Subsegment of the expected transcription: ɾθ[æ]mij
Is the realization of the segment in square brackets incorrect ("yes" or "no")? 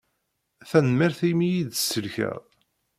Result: yes